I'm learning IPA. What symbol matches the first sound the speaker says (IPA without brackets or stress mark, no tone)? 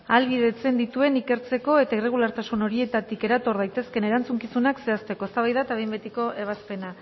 a